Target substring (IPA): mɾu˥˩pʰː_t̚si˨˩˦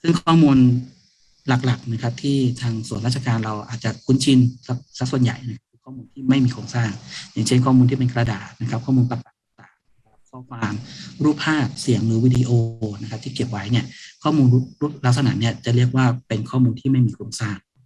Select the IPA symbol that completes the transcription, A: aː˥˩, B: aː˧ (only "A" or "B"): A